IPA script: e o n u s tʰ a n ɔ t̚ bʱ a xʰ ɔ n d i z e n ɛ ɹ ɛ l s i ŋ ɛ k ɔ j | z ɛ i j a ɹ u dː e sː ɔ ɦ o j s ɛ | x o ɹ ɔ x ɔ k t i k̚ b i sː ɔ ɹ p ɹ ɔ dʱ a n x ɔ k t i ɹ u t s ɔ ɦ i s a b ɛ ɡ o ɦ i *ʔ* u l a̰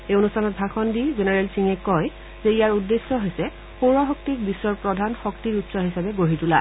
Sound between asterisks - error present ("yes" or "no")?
yes